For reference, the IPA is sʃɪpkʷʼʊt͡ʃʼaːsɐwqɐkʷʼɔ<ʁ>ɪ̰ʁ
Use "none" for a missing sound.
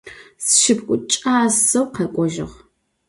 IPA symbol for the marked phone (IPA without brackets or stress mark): ʒ